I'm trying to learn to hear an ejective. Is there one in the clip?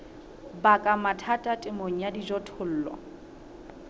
yes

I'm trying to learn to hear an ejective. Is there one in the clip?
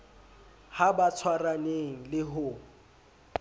no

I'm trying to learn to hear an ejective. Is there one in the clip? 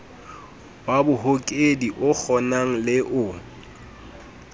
yes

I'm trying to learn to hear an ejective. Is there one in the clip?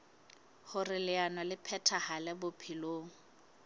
no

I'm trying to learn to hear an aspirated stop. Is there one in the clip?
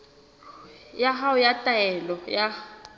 no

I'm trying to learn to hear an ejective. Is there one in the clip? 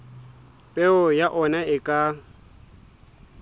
yes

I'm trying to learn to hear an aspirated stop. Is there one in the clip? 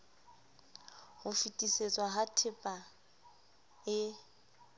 yes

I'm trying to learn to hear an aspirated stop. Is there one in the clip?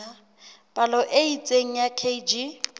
yes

